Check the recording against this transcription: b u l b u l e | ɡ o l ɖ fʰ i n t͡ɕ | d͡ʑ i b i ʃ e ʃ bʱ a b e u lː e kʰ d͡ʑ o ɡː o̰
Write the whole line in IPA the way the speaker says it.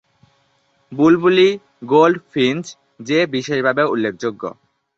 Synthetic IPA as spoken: b u l b u l i | ɡ o l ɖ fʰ i n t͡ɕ | d͡ʑ e b i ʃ e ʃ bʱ a b e u lː e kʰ d͡ʑ o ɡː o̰